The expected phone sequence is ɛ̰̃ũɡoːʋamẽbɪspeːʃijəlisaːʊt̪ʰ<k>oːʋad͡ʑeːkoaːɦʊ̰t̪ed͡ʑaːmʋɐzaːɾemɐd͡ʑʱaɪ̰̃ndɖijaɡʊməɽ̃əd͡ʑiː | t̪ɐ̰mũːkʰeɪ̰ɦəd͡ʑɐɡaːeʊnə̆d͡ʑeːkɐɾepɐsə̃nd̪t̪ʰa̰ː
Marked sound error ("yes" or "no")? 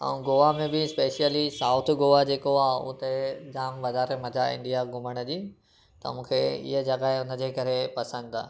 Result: yes